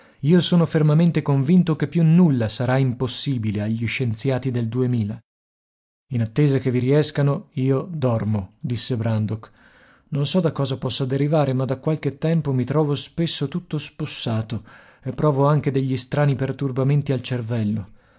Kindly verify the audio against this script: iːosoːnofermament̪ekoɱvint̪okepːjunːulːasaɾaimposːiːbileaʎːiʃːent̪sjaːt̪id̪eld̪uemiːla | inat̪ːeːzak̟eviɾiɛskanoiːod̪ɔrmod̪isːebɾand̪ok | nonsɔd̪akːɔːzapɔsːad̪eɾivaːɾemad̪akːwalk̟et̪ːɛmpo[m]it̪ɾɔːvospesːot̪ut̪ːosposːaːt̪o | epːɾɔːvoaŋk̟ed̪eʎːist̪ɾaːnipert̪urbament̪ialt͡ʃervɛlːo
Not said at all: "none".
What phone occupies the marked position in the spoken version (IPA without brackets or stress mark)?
m